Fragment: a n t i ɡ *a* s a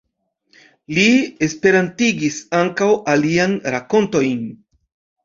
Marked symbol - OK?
no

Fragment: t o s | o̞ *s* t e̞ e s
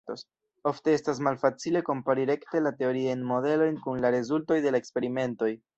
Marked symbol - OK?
no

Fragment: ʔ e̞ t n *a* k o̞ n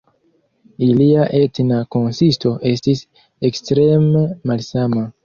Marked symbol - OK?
yes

